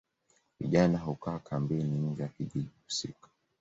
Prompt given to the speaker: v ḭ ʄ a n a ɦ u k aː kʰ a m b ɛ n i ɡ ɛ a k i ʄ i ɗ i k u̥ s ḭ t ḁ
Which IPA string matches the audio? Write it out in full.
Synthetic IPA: v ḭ ʄ a n a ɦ u k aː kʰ a m b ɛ n i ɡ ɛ a k i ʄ i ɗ i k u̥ s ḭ k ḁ